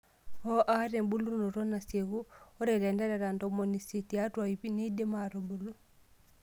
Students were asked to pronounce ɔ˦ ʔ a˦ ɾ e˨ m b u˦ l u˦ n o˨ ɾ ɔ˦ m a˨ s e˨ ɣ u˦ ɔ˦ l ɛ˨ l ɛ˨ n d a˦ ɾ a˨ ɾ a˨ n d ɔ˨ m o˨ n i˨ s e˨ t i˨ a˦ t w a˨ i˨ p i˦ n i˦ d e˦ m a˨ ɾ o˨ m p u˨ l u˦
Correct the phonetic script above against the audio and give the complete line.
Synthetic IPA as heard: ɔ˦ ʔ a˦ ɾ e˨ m b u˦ l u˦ n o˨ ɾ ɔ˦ n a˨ s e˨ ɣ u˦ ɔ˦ ɾ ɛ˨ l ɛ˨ n d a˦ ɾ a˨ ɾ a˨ n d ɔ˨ m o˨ n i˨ s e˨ t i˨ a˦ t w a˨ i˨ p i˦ n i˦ d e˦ m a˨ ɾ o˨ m b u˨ l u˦